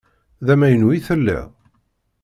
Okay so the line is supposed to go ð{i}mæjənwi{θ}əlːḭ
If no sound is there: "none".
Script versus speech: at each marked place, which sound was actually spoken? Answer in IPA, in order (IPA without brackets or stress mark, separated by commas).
æ, θ